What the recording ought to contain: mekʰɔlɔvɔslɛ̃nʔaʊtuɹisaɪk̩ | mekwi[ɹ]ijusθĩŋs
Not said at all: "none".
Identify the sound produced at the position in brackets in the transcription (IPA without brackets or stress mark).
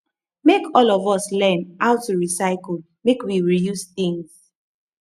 ɹ